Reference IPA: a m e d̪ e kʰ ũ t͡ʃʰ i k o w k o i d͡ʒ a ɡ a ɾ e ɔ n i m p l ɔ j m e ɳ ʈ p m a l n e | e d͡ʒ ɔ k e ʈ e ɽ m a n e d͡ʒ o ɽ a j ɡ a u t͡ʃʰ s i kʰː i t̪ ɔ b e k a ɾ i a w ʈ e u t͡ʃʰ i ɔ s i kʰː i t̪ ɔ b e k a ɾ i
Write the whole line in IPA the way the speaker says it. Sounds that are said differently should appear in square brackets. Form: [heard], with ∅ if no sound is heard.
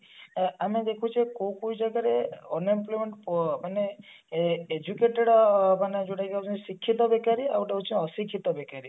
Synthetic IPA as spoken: a m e d̪ e kʰ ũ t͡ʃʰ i k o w k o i d͡ʒ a ɡ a ɾ e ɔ n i m p l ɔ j m e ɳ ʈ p m a [∅] n e | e d͡ʒ [u] k e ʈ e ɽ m a n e d͡ʒ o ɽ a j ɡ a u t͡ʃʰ s i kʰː i t̪ ɔ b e k a ɾ i a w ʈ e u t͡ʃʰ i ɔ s i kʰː i t̪ ɔ b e k a ɾ i